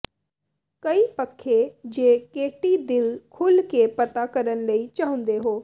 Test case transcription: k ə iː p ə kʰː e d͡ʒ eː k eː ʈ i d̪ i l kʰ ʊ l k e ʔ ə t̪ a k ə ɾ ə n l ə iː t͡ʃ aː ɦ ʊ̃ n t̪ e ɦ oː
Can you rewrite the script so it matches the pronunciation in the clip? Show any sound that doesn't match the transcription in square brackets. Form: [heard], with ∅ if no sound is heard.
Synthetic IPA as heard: k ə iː p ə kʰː e d͡ʒ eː k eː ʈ i d̪ [ɪ] l kʰ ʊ l k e [p] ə t̪ a k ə ɾ ə n l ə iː t͡ʃ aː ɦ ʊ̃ n [d̪] e ɦ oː